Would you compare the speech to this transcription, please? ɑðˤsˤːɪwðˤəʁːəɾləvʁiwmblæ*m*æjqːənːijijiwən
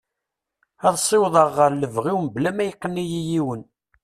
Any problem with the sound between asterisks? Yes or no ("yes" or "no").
no